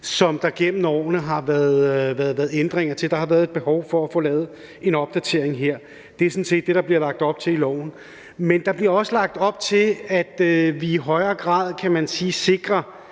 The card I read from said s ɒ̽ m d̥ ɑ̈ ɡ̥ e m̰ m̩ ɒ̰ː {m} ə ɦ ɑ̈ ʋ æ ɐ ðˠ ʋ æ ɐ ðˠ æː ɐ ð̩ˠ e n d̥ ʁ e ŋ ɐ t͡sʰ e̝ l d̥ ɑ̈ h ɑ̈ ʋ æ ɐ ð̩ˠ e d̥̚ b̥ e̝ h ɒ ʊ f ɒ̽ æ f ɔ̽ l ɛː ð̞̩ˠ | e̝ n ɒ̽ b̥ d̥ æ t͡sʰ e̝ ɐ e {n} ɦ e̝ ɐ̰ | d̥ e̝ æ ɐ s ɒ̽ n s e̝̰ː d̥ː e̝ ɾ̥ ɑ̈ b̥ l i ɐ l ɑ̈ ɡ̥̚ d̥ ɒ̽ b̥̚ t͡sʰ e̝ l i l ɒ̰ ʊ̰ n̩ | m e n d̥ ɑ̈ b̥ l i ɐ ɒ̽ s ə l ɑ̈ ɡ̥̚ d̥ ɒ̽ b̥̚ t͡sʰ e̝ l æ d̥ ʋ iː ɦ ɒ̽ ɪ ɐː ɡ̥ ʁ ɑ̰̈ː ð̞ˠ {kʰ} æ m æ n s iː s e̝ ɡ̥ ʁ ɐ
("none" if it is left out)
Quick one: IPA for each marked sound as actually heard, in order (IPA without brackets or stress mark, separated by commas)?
n, ŋ, kʰ